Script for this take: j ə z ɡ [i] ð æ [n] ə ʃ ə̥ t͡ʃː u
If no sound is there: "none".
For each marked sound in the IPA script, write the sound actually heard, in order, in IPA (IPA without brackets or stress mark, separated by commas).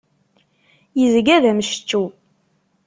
æ, m